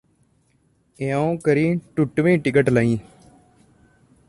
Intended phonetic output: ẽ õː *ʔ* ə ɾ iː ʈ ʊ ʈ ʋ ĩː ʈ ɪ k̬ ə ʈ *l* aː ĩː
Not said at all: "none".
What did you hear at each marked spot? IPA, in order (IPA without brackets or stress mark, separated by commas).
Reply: k, l